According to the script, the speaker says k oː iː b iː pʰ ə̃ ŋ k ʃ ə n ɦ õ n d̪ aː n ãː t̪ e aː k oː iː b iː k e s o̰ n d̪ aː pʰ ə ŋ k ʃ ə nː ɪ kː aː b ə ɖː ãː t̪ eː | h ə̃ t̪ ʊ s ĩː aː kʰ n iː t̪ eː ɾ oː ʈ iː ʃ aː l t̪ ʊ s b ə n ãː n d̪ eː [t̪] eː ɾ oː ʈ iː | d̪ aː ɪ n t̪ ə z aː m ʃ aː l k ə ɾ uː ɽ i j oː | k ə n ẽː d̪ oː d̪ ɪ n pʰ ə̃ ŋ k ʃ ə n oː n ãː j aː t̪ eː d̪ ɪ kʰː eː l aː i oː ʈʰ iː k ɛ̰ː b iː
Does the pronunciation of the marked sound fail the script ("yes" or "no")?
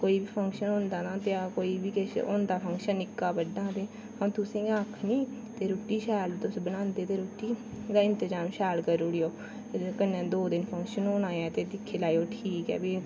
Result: no